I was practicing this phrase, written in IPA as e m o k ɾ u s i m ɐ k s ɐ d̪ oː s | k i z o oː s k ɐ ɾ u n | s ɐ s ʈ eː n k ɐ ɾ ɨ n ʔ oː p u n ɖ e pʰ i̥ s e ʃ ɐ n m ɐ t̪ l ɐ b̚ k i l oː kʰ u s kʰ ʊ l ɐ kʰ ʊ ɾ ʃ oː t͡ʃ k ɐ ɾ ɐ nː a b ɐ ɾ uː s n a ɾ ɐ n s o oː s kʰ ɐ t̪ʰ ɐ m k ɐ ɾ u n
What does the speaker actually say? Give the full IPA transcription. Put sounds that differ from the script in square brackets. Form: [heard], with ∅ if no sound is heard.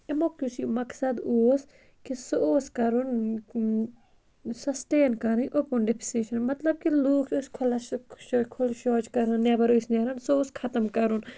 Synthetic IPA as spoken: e m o k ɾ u s i m ɐ k s ɐ d̪ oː s | k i [s] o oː s k ɐ ɾ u n | s ɐ s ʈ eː n k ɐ ɾ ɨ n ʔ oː p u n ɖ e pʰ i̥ s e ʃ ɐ n m ɐ t̪ l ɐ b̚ k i l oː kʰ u s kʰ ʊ l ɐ kʰ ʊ [l] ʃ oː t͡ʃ k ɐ ɾ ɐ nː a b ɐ ɾ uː s n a ɾ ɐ n s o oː s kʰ ɐ [t̪] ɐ m k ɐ ɾ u n